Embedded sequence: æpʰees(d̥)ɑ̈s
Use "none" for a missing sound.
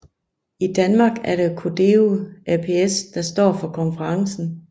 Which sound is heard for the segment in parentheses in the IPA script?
d̥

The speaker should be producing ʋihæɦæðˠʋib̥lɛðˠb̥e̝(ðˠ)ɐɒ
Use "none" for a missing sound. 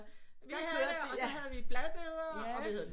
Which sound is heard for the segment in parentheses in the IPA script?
ðˠ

